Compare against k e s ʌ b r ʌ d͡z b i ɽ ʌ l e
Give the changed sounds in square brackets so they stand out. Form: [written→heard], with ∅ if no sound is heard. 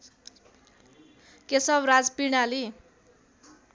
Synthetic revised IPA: k e s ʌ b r [ʌ→a] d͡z [b→p] i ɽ [ʌ→a] l [e→i]